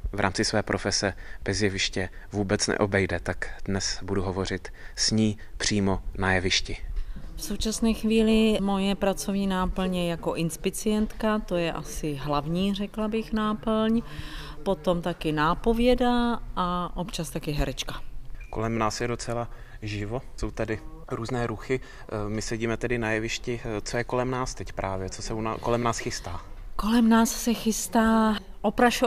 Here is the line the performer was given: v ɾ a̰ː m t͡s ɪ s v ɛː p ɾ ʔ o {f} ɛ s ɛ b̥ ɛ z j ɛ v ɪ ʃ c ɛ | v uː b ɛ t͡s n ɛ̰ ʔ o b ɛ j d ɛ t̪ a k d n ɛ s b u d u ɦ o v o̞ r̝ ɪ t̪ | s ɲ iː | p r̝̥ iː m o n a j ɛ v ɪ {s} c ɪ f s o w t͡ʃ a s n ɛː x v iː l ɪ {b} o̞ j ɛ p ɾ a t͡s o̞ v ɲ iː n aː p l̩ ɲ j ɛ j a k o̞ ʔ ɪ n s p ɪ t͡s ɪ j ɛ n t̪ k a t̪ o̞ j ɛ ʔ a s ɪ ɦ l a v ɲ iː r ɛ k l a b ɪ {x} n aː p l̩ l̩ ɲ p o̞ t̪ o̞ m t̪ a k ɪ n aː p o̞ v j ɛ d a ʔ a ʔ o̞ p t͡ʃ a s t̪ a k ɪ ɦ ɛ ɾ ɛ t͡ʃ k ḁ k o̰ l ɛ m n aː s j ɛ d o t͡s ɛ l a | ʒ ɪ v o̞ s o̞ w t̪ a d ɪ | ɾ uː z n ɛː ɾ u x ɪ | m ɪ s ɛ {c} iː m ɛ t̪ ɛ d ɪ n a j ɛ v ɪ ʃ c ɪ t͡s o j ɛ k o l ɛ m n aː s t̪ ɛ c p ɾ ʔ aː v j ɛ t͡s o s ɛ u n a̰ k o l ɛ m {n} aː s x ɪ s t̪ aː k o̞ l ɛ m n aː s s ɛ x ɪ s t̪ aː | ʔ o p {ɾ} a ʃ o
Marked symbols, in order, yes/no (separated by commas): yes, no, no, yes, no, yes, yes